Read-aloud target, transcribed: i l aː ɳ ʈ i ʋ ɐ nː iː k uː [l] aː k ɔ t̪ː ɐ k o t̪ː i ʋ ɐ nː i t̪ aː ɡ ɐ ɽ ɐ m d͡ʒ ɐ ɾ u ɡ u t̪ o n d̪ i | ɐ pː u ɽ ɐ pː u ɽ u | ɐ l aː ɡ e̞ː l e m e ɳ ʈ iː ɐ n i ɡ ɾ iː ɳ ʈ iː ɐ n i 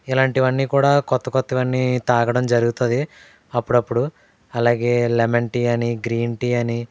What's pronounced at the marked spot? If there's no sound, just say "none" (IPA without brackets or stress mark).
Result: ɽ